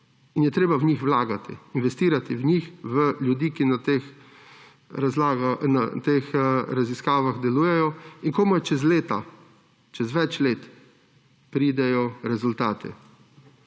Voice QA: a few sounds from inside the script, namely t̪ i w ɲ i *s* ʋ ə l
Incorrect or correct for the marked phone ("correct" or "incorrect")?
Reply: incorrect